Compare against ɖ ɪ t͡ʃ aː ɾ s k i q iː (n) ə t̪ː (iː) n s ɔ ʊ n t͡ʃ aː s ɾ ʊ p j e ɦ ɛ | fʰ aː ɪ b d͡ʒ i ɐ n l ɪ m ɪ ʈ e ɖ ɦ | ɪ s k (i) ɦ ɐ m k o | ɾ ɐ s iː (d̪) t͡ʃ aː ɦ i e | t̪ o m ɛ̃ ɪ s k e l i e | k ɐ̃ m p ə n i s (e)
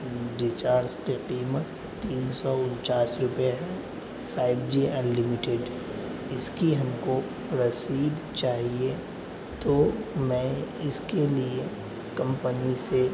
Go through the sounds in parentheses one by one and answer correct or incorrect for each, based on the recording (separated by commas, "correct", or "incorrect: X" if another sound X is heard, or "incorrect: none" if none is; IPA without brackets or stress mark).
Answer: incorrect: m, correct, correct, correct, correct